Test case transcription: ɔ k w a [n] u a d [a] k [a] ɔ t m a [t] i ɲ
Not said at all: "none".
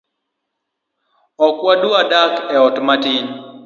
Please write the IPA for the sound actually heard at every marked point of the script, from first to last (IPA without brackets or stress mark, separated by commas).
d, a, ɛ, t